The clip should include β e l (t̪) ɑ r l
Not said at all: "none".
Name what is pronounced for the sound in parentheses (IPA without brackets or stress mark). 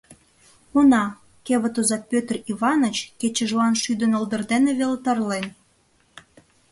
t̪